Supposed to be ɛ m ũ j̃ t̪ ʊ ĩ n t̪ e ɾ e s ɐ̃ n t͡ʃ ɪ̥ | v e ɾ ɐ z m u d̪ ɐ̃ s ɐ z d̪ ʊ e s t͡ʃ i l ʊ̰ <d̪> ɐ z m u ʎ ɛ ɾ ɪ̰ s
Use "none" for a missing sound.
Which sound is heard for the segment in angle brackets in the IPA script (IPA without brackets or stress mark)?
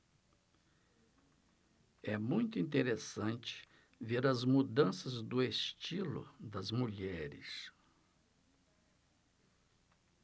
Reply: d̪